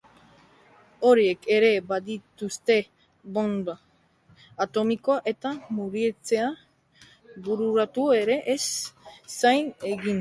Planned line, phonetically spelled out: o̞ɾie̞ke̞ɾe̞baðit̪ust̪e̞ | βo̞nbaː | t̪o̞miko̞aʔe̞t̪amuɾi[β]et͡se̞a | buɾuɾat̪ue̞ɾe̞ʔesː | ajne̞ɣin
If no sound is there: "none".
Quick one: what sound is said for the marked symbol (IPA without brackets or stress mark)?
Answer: none